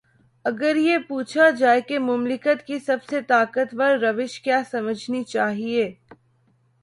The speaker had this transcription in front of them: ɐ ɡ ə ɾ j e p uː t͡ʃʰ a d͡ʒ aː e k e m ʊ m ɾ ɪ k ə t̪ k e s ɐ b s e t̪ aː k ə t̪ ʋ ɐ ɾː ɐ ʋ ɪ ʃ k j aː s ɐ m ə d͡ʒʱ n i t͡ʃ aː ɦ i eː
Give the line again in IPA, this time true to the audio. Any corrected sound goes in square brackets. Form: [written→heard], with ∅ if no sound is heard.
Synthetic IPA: ɐ ɡ ə ɾ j e p uː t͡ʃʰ a d͡ʒ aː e k e m ʊ m [ɾ→l] ɪ k ə t̪ k [e→i] s ɐ b s e t̪ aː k ə t̪ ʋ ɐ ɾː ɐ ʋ ɪ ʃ k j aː s ɐ m ə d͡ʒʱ n i t͡ʃ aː ɦ i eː